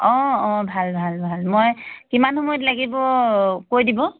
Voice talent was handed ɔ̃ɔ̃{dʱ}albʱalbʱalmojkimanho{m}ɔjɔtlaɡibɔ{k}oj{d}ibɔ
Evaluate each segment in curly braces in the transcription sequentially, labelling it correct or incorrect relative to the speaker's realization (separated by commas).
incorrect, correct, correct, correct